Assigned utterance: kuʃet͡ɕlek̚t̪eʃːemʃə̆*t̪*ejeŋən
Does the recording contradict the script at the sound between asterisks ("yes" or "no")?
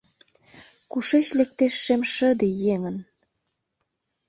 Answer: yes